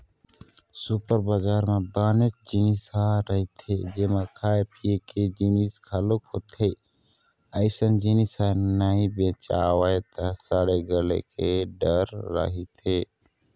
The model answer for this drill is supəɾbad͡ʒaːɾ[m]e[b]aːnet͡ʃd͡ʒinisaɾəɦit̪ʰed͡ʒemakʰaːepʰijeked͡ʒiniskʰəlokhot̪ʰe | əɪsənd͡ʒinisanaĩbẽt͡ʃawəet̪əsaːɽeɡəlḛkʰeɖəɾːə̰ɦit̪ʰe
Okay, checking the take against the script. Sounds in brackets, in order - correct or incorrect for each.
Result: correct, correct

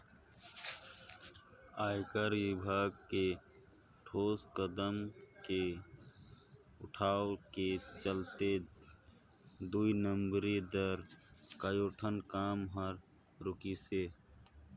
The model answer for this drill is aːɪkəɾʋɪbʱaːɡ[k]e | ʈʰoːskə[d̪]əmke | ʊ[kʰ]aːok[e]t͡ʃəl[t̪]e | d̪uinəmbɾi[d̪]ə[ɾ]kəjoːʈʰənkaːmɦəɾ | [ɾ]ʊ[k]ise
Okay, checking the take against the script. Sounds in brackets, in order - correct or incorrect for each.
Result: correct, correct, incorrect: ʈʰ, correct, correct, correct, correct, correct, correct

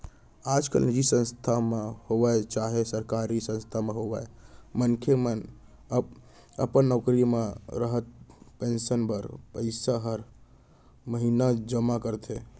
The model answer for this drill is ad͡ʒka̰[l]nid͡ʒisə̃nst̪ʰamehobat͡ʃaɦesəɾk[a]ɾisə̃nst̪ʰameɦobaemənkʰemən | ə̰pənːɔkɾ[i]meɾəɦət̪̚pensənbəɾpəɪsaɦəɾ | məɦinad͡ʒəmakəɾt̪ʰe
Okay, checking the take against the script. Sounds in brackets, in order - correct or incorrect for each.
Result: correct, correct, correct

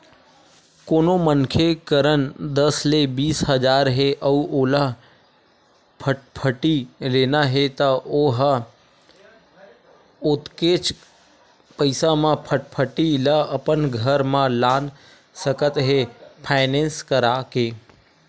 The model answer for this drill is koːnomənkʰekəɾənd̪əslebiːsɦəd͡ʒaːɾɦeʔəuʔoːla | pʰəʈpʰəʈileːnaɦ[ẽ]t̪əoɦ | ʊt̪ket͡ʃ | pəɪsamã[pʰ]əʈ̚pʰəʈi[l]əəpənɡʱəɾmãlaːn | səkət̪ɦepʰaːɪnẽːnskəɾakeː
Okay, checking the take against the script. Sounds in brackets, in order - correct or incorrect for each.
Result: incorrect: e, correct, correct

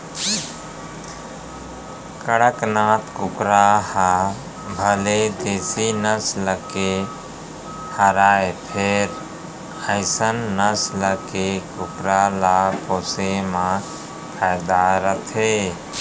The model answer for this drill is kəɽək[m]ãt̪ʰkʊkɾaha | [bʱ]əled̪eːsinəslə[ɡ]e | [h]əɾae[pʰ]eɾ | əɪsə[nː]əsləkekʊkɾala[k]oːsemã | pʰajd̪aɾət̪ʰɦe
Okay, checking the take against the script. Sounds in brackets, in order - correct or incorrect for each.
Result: incorrect: n, correct, incorrect: k, correct, correct, correct, incorrect: p

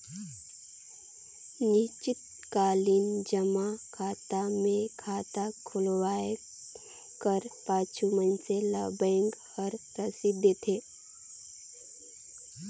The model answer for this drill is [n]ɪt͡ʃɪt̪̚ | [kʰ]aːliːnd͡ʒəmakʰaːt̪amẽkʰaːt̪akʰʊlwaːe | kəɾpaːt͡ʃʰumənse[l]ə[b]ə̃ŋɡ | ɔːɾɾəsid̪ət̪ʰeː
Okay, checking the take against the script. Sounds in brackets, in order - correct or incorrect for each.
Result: correct, incorrect: k, correct, correct

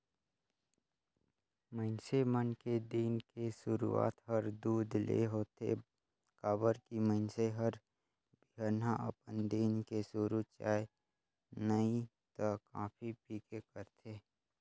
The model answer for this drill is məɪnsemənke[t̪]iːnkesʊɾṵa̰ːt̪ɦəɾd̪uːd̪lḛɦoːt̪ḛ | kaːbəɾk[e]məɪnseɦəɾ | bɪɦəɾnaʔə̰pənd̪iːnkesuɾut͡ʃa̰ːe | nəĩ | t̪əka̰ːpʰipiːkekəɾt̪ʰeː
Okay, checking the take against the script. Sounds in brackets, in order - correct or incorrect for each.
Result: incorrect: d̪, incorrect: i

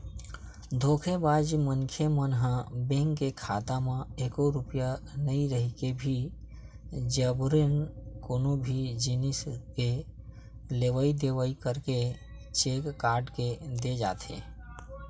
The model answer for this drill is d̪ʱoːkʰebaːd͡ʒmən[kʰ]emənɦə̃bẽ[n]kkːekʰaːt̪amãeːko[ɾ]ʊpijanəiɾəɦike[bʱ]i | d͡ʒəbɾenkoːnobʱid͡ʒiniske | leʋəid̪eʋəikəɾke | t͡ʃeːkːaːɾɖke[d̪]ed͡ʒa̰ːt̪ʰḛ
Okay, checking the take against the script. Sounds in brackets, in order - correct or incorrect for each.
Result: correct, incorrect: ŋ, correct, correct, correct

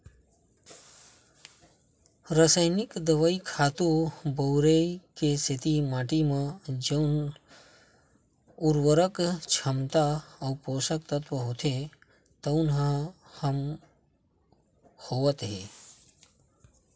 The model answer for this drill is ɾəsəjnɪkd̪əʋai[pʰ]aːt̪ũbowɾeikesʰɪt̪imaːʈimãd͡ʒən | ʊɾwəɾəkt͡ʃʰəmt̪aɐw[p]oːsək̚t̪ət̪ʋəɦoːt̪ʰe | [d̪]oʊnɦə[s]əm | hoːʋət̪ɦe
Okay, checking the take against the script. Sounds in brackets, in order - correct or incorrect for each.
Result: incorrect: kʰ, correct, incorrect: t̪, incorrect: h

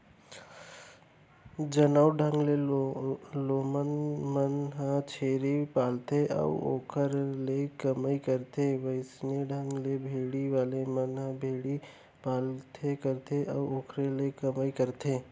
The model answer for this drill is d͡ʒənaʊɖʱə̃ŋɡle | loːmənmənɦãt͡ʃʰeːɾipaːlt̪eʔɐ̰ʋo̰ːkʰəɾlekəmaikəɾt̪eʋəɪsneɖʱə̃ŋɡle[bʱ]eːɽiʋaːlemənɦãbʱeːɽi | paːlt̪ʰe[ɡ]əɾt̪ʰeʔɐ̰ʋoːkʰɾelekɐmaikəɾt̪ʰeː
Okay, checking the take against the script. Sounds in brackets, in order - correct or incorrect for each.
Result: correct, incorrect: k

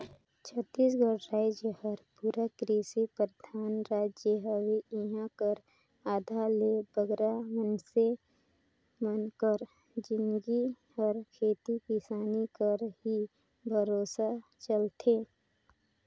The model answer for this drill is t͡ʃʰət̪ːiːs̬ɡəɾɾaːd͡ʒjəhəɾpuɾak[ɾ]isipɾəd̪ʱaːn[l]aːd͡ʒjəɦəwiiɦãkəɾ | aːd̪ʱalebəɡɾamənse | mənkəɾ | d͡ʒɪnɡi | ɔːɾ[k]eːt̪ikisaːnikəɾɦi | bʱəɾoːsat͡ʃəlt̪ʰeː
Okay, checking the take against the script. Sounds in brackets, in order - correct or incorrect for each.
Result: correct, incorrect: ɾ, incorrect: kʰ

